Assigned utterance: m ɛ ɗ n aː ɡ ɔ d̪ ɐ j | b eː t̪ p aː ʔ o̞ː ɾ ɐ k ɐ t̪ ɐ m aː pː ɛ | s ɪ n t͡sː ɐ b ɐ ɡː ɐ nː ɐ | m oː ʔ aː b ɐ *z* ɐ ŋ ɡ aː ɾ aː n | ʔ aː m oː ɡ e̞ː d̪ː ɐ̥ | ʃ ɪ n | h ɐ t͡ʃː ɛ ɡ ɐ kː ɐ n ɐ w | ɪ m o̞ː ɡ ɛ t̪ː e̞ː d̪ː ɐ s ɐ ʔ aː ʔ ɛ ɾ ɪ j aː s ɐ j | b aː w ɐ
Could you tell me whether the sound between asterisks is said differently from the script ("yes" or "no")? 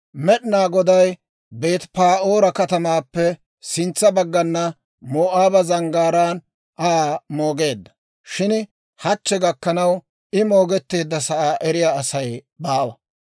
no